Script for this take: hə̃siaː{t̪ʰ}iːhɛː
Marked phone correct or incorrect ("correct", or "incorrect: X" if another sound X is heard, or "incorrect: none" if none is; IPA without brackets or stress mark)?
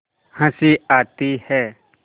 incorrect: t̪